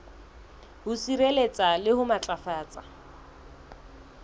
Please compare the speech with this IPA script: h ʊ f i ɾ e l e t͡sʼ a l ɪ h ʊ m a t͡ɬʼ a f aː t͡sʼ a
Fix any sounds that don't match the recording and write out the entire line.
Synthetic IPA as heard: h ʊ s i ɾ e l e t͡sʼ a l ɪ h ʊ m a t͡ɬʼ a f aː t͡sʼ a